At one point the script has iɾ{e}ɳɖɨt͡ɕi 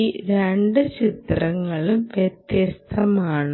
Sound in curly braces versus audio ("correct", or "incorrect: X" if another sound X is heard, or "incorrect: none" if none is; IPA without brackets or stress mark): correct